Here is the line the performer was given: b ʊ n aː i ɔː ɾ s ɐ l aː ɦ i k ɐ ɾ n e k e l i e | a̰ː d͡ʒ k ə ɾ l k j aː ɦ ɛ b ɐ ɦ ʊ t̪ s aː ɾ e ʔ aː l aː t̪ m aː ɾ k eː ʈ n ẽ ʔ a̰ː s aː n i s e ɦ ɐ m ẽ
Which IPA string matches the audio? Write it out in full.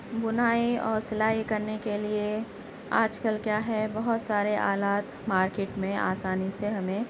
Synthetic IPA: b ʊ n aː i ɔː ɾ s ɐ l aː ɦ i k ɐ ɾ n e k e l i e | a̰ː d͡ʒ k ə l k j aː ɦ ɛ b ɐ ɦ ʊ t̪ s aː ɾ e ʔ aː l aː t̪ m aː ɾ k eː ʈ m ẽ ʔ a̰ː s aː n i s e ɦ ɐ m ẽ